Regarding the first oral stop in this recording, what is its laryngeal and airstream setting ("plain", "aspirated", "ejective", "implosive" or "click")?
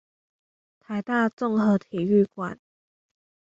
aspirated